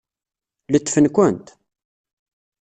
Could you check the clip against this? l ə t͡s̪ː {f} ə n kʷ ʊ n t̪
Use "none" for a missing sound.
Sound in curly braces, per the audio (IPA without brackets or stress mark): f